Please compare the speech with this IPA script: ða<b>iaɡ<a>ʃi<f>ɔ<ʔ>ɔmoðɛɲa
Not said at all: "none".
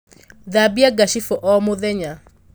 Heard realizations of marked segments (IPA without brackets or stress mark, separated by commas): b, a, f, ʔ